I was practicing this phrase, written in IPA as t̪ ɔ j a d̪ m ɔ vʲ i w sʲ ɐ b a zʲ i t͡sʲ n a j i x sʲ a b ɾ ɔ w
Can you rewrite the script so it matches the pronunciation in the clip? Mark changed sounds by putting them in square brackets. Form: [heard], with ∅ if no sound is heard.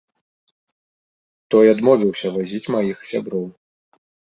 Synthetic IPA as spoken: t̪ ɔ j a d̪ m ɔ vʲ i w sʲ ɐ [v] a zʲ i t͡sʲ [m] a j i x sʲ a b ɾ ɔ w

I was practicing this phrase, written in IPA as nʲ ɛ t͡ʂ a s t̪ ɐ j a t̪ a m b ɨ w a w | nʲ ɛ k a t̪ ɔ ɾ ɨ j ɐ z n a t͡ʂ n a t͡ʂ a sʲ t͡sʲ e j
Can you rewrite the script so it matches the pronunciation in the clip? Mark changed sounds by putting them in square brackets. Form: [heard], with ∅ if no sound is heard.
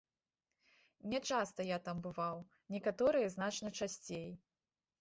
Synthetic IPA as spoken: nʲ ɛ t͡ʂ a s t̪ ɐ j a t̪ a m b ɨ [v] a w | nʲ ɛ k a t̪ ɔ ɾ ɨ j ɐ z n a t͡ʂ n [ɐ] t͡ʂ a sʲ t͡sʲ e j

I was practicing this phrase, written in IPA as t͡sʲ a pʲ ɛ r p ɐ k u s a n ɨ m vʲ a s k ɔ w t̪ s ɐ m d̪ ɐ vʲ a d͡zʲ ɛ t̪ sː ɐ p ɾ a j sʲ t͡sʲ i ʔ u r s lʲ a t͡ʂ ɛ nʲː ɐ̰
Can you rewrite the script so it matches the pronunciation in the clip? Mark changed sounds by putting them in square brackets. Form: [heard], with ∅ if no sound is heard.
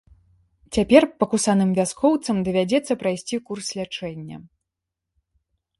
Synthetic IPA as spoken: t͡sʲ a pʲ ɛ r p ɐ k u s a n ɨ m vʲ a s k ɔ w t̪ s ɐ m d̪ ɐ vʲ a d͡zʲ ɛ t̪ sː ɐ p ɾ a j sʲ t͡sʲ i [k] u r s lʲ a t͡ʂ ɛ nʲː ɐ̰

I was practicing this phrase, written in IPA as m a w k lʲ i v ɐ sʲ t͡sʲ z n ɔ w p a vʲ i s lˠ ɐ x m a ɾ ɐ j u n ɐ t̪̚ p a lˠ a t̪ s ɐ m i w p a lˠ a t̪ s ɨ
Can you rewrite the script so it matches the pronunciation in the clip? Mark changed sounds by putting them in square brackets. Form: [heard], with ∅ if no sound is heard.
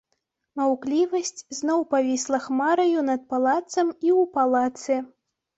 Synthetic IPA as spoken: m a w k lʲ i v ɐ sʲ t͡sʲ z n ɔ w p a vʲ i s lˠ ɐ x m a ɾ ɐ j u n ɐ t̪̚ p a lˠ a t̪ s ɐ m i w p a lˠ a t̪ s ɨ

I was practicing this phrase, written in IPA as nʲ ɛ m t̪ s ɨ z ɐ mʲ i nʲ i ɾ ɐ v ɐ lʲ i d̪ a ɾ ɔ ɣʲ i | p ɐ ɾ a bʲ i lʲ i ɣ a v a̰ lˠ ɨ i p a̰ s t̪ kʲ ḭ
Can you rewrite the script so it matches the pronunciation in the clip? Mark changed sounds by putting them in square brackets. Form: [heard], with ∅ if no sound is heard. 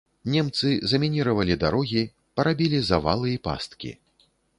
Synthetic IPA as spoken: nʲ ɛ m t̪ s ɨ z ɐ mʲ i nʲ i ɾ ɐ v ɐ lʲ i d̪ a ɾ ɔ ɣʲ i | p ɐ ɾ a bʲ i lʲ i [z] a v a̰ lˠ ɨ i p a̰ s t̪ kʲ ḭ

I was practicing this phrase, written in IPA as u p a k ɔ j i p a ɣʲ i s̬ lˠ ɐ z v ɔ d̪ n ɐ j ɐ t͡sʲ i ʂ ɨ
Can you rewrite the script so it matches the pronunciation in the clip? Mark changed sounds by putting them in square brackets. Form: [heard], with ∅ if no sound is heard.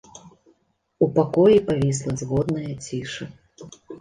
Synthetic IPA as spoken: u p a k ɔ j i p a [vʲ] i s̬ lˠ ɐ z [ɣ] ɔ d̪ n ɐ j ɐ t͡sʲ i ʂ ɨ

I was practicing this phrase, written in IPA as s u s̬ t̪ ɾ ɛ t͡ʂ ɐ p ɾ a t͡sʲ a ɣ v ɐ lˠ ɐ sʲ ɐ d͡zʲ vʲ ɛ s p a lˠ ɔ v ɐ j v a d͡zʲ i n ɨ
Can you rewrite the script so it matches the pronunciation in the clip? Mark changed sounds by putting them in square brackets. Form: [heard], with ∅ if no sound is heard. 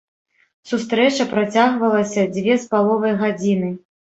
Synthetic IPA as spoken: s u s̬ t̪ ɾ ɛ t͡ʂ ɐ p ɾ a t͡sʲ a ɣ v ɐ lˠ ɐ sʲ ɐ d͡zʲ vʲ ɛ s p a lˠ ɔ v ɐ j [ɣ] a d͡zʲ i n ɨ

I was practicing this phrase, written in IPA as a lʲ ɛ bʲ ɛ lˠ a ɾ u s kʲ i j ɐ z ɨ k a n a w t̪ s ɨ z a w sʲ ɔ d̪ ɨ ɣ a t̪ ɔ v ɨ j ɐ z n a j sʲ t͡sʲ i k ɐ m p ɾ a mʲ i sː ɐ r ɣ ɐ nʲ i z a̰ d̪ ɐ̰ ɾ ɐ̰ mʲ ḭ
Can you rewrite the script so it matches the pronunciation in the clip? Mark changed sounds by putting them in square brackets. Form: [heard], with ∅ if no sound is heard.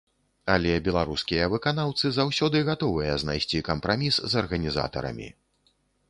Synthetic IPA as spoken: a lʲ ɛ bʲ ɛ lˠ a ɾ u s kʲ i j ɐ [v] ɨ k a n a w t̪ s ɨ z a w sʲ ɔ d̪ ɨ ɣ a t̪ ɔ v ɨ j ɐ z n a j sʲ t͡sʲ i k ɐ m p ɾ a mʲ i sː ɐ r ɣ ɐ nʲ i z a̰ [t̪] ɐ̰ ɾ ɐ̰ mʲ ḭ

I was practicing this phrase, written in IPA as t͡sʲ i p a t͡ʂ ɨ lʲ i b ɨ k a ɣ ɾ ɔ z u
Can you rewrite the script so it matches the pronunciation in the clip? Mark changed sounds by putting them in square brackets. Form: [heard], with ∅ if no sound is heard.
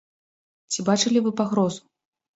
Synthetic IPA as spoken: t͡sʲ i [b] a t͡ʂ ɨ lʲ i [v] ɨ [p] a ɣ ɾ ɔ z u

